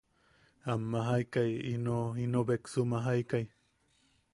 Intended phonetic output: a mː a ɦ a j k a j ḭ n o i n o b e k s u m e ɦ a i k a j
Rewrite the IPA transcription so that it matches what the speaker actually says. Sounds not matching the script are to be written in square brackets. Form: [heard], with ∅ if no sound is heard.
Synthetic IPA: a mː a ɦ a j k a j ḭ n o i n o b e k s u m [a] ɦ a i k a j